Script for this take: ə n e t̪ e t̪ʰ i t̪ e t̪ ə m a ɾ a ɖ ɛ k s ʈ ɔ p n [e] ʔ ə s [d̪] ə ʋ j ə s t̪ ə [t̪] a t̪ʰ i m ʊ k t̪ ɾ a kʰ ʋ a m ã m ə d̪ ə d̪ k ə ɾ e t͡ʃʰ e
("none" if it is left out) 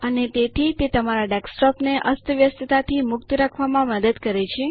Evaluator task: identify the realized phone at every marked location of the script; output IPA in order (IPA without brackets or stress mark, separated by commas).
e, t̪, t̪